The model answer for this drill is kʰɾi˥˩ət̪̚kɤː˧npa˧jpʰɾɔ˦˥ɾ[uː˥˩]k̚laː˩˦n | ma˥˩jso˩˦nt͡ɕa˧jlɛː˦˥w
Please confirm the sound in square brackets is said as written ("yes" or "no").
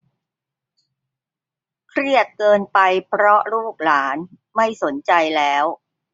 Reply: yes